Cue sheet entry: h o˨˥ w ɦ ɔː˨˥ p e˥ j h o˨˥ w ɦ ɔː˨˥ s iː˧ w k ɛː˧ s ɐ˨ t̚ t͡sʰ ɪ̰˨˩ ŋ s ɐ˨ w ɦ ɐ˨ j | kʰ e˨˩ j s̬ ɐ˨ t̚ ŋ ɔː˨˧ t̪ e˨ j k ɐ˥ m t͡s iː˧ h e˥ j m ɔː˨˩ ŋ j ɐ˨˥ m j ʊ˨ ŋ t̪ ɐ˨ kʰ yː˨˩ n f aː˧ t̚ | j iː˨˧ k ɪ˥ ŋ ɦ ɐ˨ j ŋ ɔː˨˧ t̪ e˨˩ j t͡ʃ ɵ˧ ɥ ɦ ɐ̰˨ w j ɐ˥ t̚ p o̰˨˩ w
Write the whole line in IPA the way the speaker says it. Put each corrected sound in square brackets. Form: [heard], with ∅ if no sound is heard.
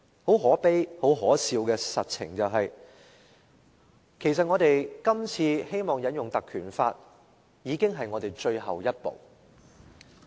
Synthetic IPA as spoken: h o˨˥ w ɦ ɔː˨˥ p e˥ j h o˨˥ w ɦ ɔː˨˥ s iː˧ w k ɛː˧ s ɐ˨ t̚ t͡sʰ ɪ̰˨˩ ŋ [t͡s] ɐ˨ w ɦ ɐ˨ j | kʰ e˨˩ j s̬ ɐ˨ t̚ ŋ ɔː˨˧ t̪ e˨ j k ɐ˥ m [t͡sʰ] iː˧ h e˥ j m ɔː˨˩ ŋ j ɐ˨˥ [n] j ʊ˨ ŋ t̪ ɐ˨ kʰ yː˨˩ n f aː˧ t̚ | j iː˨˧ k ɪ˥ ŋ ɦ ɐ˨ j ŋ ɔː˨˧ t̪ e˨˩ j t͡ʃ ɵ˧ ɥ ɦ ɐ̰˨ w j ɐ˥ t̚ p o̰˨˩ w